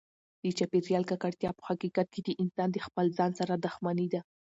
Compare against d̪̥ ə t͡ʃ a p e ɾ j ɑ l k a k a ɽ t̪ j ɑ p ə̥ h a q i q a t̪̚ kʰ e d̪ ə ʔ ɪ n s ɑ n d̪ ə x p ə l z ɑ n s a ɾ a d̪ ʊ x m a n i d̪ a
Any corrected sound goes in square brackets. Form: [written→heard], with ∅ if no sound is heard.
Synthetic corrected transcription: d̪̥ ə t͡ʃ a p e ɾ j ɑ l k a k a ɽ t̪ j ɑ p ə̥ h a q i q a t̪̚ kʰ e d̪ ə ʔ ɪ n s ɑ n d̪ ə x p ə l z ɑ n s a ɾ a d̪ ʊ x m a n i d̪ a